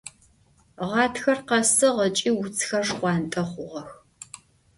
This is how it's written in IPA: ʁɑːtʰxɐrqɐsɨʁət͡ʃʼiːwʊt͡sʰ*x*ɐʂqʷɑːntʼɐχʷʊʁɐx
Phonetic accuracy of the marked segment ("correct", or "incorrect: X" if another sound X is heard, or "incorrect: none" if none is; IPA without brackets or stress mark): correct